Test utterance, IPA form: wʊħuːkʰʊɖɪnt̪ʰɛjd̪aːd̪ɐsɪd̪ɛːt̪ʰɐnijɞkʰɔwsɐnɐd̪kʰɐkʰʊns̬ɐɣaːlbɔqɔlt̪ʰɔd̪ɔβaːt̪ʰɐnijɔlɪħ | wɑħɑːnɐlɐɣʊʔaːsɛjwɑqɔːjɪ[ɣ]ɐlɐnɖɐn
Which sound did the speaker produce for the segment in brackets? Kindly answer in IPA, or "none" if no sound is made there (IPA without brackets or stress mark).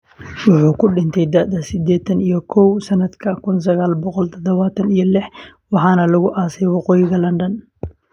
ɣ